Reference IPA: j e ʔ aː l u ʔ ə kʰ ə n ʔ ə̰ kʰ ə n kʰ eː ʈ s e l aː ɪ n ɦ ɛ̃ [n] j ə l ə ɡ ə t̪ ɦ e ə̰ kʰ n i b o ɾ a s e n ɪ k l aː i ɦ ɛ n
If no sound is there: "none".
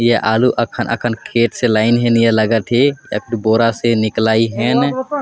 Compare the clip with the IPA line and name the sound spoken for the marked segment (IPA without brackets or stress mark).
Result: n